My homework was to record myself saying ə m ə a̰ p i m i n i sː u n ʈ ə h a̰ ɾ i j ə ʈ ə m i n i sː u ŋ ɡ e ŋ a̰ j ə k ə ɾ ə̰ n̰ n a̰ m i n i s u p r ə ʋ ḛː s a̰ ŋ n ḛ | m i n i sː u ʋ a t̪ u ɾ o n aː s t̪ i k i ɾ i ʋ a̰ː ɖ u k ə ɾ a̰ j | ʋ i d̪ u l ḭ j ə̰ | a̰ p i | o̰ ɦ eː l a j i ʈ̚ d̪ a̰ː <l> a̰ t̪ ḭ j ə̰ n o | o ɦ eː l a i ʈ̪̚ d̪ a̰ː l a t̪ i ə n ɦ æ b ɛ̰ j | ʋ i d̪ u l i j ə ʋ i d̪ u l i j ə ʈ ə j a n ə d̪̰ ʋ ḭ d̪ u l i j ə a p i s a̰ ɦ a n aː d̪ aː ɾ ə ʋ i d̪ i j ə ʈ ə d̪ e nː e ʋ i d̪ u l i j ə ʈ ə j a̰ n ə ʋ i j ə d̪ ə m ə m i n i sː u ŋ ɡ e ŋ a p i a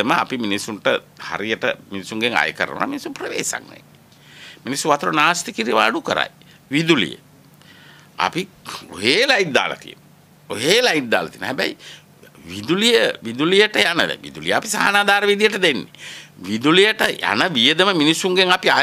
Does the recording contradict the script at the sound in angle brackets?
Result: no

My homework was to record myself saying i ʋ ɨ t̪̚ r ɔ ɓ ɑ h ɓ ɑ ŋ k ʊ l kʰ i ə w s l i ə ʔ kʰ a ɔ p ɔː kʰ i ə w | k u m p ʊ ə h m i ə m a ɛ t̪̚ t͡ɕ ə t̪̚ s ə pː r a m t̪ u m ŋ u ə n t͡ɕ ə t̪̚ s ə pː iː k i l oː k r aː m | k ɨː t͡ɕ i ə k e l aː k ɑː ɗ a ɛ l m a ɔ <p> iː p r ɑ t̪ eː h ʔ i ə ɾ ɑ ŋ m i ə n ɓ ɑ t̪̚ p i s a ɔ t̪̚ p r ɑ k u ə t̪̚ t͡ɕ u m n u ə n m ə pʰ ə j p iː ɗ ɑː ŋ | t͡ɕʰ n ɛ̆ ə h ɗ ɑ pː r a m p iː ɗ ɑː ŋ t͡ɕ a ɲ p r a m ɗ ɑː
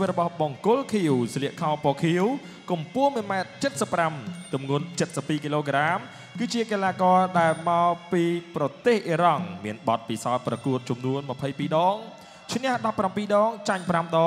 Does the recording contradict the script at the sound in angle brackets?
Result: no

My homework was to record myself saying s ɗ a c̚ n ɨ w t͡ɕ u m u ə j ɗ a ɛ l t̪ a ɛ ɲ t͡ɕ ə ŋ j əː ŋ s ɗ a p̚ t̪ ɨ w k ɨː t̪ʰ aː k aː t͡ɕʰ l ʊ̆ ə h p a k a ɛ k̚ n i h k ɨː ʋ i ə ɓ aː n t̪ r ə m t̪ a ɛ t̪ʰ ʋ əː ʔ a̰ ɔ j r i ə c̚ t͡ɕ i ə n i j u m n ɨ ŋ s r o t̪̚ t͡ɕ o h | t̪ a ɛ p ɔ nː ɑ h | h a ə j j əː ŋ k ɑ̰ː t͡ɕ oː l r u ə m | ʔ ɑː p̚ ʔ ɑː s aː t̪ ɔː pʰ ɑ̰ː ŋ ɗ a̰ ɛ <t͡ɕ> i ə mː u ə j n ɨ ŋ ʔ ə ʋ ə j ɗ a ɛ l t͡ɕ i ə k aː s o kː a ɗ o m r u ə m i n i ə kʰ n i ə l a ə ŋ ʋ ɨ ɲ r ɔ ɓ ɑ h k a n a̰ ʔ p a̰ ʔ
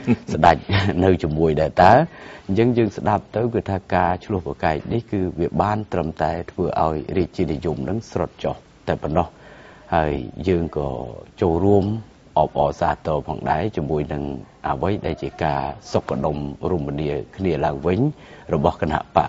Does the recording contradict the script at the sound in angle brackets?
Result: no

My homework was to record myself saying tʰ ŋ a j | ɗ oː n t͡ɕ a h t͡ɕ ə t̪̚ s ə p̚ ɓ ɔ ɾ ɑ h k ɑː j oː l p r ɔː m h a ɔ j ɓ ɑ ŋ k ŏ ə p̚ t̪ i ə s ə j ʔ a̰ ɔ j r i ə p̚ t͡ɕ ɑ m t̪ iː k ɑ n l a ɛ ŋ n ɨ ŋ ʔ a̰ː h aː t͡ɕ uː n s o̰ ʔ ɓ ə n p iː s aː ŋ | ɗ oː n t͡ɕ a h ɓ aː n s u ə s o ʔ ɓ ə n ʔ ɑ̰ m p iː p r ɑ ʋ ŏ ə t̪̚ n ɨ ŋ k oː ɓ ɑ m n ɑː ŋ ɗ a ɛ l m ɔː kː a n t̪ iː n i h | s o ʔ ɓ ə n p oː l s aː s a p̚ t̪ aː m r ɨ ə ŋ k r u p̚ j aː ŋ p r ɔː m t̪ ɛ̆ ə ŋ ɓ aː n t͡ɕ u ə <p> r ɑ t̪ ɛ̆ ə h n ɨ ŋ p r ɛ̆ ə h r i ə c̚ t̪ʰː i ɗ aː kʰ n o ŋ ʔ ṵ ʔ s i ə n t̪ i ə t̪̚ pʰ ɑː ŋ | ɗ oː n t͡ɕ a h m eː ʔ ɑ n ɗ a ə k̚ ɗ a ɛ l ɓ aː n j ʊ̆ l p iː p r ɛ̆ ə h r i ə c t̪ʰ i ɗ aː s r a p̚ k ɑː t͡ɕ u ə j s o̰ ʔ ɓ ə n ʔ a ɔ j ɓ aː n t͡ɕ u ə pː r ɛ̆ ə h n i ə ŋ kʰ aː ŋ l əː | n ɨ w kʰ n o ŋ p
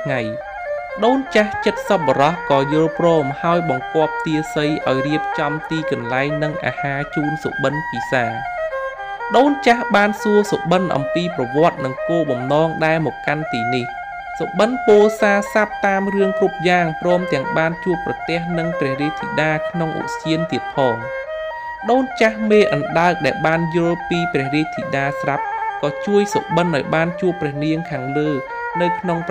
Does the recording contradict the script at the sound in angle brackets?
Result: no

